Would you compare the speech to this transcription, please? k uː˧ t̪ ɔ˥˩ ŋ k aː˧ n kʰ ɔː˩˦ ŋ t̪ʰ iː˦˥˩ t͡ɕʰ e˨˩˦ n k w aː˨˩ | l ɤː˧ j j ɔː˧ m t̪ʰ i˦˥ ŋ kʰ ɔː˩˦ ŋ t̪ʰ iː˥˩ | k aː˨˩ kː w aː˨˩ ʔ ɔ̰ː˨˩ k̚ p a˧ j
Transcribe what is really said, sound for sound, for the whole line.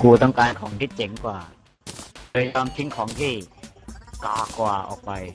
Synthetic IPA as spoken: k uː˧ t̪ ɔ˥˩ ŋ k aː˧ n kʰ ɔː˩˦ ŋ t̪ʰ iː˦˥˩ t͡ɕ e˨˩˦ ŋ k w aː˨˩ | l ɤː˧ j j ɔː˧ m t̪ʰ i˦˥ ŋ kʰ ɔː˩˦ ŋ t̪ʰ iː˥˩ | k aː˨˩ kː w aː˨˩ ʔ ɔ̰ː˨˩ k̚ p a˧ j

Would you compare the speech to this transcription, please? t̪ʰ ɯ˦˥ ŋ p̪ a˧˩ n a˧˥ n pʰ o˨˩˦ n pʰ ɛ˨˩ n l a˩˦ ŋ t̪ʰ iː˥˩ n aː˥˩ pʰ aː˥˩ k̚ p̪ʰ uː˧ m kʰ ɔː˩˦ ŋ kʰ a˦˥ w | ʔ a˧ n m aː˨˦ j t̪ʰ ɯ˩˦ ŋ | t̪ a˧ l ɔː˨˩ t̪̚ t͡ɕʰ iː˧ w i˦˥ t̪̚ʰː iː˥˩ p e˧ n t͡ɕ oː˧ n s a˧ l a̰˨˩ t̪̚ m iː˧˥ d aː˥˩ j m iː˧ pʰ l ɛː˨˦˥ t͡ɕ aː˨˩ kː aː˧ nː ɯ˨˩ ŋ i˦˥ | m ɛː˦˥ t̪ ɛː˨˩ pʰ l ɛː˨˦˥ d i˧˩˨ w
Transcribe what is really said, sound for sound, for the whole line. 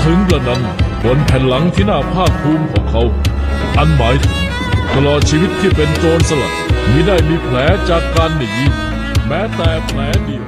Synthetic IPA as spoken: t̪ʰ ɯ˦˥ ŋ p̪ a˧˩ n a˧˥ n pʰ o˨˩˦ n pʰ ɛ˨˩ n l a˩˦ ŋ t̪ʰ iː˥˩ n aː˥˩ pʰ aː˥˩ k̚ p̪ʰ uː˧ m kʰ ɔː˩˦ ŋ kʰ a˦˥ w | ʔ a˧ n m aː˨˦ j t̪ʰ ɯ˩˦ ŋ | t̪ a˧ l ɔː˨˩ t̪̚ t͡ɕʰ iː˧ w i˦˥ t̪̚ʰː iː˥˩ p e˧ n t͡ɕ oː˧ n s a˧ l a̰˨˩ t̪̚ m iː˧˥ d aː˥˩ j m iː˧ pʰ l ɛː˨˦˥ t͡ɕ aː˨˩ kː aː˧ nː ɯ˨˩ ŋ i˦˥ | m ɛː˦˥ t̪ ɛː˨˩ pʰ l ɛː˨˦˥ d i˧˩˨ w

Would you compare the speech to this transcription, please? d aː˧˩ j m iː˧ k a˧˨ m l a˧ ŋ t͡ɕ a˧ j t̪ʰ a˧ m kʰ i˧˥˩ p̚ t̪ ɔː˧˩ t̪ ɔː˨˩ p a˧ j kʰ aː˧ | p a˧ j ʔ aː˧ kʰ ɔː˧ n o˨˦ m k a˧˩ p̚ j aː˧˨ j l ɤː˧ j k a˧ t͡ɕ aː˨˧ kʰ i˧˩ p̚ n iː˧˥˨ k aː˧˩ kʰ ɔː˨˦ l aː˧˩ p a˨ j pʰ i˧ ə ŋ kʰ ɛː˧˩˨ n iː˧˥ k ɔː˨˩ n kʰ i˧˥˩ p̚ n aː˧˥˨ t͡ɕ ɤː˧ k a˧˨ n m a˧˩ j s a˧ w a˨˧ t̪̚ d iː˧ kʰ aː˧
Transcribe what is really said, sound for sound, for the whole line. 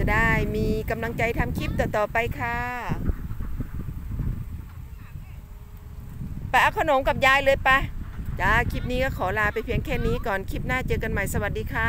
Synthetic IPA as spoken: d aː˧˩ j m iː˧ k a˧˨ m l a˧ ŋ t͡ɕ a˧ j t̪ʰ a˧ m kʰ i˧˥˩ p̚ t̪ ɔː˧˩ t̪ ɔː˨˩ p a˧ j kʰ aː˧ | p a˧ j ʔ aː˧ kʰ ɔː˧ n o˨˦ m k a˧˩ p̚ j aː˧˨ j l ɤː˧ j p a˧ t͡ɕ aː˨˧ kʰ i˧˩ p̚ n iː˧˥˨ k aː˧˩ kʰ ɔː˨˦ l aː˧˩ p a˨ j pʰ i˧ ə ŋ kʰ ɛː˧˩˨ n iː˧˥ k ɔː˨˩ n kʰ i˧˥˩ p̚ n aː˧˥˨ t͡ɕ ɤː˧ k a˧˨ n m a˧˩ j s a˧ w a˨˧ t̪̚ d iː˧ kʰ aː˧

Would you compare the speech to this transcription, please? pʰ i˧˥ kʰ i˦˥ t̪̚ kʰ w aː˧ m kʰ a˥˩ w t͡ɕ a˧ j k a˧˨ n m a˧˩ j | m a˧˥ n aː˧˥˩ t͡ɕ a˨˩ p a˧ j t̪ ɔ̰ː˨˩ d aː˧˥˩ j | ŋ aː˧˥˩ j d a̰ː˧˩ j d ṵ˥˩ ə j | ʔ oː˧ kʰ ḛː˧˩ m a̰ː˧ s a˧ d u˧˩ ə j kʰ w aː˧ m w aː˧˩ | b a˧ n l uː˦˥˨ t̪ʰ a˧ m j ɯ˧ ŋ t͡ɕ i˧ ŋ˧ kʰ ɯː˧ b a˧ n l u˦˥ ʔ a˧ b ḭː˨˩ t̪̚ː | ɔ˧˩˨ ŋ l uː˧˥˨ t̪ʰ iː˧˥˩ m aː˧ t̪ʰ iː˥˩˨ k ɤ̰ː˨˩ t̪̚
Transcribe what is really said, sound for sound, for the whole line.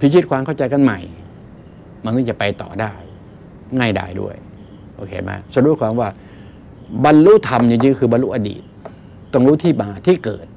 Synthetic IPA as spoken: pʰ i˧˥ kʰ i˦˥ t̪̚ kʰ w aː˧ m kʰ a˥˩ w t͡ɕ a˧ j k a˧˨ n m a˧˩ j | m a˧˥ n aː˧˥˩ t͡ɕ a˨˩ p a˧ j t̪ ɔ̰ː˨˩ d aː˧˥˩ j | ŋ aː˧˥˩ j d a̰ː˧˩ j d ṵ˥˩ ə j | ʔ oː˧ kʰ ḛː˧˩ m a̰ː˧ s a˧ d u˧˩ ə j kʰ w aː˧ m w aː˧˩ | b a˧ n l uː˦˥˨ t̪ʰ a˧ m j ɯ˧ ŋ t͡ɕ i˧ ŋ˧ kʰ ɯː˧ b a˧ n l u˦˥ ʔ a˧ d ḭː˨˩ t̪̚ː | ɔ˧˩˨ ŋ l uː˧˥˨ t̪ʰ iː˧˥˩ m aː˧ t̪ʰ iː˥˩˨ k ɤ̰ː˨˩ t̪̚

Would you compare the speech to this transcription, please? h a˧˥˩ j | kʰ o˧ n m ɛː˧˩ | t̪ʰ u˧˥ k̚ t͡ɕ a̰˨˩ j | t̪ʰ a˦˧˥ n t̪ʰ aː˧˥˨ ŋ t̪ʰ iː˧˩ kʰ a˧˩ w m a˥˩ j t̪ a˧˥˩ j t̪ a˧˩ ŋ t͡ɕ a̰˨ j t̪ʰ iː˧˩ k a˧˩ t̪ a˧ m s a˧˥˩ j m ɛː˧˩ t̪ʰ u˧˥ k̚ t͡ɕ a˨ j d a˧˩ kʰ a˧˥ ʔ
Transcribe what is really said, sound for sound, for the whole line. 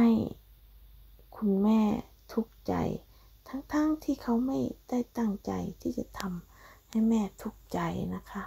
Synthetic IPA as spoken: h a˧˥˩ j | kʰ u˧ n m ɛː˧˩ | t̪ʰ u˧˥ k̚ t͡ɕ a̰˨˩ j | t̪ʰ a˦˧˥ ŋ t̪ʰ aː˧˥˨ ŋ t̪ʰ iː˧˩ kʰ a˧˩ w m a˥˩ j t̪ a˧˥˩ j t̪ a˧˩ ŋ t͡ɕ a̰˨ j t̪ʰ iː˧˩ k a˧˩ t̪ʰ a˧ m h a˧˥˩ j m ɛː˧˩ t̪ʰ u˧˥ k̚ t͡ɕ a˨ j n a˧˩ kʰ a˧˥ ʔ

